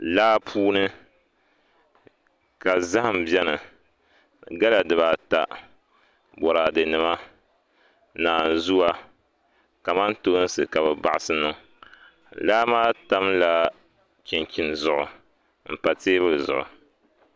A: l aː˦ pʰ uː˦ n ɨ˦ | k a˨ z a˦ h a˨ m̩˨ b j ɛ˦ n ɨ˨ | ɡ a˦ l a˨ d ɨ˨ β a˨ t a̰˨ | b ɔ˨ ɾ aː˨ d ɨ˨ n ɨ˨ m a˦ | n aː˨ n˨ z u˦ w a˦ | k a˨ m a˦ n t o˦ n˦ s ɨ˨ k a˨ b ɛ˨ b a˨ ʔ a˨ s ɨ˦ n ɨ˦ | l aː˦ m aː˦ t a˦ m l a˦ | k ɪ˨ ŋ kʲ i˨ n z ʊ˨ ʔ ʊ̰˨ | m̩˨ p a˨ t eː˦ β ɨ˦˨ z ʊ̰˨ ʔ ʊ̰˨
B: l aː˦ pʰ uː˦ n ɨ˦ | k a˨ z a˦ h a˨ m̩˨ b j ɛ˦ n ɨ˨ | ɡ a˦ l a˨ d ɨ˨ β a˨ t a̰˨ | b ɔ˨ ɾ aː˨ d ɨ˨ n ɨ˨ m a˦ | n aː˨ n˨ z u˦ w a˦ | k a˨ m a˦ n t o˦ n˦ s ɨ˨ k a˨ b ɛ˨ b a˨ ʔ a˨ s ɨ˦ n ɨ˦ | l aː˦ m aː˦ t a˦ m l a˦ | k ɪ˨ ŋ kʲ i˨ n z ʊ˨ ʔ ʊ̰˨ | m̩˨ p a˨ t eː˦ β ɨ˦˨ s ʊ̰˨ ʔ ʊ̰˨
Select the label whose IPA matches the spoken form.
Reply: A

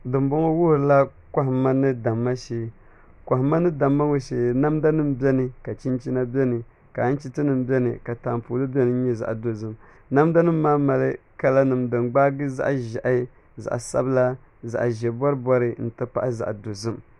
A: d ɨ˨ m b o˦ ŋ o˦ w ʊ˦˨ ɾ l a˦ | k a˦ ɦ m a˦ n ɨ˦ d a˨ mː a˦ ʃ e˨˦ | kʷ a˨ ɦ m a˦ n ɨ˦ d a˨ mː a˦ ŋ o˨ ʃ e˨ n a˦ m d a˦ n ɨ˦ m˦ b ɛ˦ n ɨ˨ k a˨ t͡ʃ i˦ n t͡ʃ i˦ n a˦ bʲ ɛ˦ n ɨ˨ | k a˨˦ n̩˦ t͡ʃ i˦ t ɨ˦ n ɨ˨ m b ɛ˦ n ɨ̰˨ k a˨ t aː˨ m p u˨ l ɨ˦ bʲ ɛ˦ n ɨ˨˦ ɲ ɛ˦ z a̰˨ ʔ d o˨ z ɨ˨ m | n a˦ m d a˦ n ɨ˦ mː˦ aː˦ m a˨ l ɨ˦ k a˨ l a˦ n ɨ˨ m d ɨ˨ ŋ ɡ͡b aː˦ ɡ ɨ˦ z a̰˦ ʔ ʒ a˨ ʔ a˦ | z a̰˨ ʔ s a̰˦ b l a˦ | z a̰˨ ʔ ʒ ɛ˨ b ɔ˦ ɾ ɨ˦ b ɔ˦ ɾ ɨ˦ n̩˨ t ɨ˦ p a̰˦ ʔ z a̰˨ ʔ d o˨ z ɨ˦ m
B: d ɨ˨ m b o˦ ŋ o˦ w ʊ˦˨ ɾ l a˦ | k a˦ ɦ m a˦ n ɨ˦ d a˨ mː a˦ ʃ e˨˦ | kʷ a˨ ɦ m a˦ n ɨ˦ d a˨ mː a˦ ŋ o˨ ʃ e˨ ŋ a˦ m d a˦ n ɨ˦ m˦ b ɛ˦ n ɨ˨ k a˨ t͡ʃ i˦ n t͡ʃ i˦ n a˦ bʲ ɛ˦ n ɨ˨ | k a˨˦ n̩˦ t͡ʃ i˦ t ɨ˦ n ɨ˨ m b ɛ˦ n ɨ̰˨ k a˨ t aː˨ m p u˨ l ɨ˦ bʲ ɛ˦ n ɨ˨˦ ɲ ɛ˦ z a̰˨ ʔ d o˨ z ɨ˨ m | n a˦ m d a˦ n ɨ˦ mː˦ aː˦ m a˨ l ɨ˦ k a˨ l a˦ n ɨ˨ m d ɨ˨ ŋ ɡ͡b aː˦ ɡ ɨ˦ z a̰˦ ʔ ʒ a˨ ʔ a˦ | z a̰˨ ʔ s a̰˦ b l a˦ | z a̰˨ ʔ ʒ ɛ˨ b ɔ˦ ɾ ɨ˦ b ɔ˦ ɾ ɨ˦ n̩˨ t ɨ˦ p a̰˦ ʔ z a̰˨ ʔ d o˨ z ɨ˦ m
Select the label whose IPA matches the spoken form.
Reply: A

